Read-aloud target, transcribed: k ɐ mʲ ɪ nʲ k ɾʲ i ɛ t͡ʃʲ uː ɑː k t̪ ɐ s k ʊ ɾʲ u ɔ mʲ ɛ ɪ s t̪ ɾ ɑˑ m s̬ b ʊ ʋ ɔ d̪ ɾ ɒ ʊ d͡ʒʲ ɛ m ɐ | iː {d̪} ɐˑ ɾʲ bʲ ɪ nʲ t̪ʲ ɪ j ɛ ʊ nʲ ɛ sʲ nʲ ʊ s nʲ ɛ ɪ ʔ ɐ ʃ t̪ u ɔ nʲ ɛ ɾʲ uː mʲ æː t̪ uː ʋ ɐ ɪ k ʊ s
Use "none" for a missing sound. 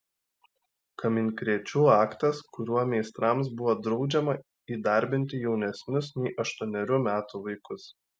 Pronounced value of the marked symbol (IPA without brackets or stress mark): d̪